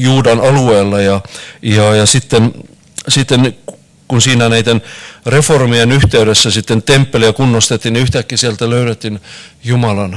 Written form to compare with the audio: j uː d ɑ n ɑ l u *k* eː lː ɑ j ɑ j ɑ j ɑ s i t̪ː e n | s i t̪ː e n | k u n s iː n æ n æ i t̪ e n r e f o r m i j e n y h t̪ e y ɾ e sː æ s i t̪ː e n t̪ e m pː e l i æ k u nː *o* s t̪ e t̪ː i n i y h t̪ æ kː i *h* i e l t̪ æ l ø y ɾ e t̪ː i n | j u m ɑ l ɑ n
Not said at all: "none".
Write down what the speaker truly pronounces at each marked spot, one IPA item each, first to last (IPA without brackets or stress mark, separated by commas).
none, o, s